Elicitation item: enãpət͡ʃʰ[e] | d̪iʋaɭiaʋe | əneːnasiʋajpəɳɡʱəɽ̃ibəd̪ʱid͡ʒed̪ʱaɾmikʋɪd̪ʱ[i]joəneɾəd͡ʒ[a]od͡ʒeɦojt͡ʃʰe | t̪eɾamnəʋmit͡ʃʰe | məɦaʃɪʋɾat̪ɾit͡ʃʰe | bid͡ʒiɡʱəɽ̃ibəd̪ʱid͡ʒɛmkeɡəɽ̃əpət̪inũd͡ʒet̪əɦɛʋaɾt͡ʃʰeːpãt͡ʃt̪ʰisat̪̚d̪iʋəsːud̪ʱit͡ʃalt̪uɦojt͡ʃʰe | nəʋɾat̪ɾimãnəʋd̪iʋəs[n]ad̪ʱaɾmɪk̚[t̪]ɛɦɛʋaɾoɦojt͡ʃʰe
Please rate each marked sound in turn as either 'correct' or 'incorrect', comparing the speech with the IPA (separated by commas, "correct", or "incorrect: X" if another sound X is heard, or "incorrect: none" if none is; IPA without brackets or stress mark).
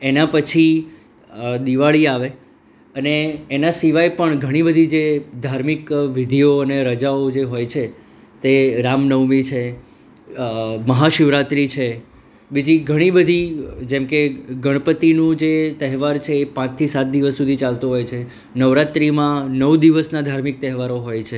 incorrect: i, correct, correct, correct, correct